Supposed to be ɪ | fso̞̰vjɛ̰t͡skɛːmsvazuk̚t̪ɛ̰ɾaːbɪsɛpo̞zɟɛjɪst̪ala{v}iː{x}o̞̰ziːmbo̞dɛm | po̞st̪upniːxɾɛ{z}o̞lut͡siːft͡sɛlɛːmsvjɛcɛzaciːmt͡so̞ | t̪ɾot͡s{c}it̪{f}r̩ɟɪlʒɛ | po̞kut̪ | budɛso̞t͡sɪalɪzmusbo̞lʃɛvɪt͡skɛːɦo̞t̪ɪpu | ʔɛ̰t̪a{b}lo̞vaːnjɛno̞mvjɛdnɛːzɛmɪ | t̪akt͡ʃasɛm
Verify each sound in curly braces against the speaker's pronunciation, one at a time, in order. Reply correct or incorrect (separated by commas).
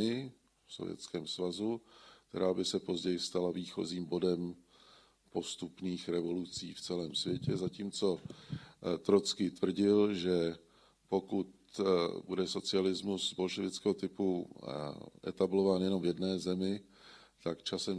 correct, correct, incorrect, incorrect, incorrect, correct